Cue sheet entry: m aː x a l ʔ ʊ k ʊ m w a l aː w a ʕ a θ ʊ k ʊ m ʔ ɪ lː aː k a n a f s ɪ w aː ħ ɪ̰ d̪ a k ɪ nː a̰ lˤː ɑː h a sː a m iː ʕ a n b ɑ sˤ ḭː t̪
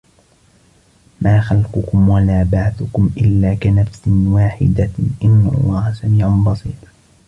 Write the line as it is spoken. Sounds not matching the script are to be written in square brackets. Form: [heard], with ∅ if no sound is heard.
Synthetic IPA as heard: m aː x a l [q] ʊ k ʊ m w a l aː [b] a ʕ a θ ʊ k ʊ m ʔ ɪ lː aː k a n a f s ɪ w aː ħ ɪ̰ d̪ a [ʔ] ɪ nː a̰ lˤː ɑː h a [s] a m iː ʕ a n b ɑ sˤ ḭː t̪